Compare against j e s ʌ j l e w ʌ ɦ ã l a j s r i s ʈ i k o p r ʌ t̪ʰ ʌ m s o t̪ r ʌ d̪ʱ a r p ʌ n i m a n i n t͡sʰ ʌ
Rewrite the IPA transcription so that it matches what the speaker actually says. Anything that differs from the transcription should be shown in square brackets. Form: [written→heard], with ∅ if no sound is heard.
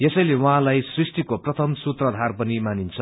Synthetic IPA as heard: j e s ʌ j l e w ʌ ɦ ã l a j s r i s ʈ i k o p r ʌ t̪ʰ ʌ m s [o→u] t̪ r ʌ d̪ʱ a r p ʌ n i m a n i n t͡sʰ ʌ

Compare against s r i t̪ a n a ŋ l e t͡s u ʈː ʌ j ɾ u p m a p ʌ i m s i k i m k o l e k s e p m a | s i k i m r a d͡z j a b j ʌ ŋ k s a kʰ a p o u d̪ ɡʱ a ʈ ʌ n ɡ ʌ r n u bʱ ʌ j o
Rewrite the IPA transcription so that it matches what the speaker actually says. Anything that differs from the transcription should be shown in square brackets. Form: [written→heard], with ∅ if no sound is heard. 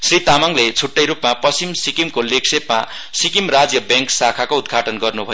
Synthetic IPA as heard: s r i t̪ a [n→m] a ŋ l e [t͡s→t͡sʰ] u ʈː ʌ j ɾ u p m a p ʌ i m s i k i m k o l e k s e p m a | s i k i m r a d͡z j [a→ʌ] b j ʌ ŋ k s a kʰ a [p→k] o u d̪ ɡʱ a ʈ ʌ n ɡ ʌ r n u bʱ ʌ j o

